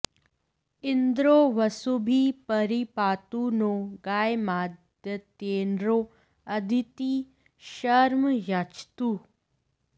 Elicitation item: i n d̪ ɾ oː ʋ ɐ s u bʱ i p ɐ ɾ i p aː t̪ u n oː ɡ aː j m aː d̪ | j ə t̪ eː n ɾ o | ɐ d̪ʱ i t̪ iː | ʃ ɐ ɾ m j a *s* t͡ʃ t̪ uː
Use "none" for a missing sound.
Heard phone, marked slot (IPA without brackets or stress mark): none